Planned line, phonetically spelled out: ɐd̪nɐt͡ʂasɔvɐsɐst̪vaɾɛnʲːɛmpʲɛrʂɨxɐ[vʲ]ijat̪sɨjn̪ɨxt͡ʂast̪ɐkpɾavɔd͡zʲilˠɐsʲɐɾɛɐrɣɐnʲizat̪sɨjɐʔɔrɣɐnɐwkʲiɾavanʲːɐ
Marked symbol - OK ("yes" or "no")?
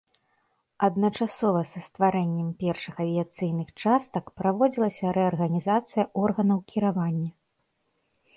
yes